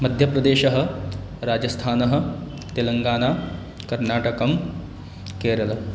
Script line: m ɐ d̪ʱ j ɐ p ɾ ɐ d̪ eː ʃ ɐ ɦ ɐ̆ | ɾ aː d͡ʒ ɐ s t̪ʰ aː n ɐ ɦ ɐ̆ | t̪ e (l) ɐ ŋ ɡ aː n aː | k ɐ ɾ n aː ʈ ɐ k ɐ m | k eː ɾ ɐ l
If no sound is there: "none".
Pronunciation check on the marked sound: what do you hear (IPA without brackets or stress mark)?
l